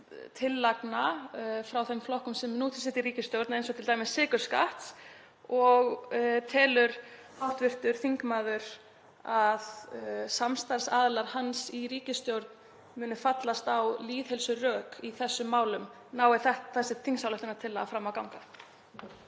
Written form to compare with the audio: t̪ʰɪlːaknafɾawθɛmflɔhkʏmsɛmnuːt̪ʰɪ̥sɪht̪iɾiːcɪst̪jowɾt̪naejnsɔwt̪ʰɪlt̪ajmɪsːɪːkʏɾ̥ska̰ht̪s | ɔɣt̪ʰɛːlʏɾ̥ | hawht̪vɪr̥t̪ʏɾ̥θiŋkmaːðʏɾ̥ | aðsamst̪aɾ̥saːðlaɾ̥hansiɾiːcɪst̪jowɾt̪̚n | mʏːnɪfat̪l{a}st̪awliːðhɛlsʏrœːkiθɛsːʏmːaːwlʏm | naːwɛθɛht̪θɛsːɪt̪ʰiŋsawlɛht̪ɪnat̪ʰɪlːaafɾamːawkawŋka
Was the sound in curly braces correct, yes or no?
yes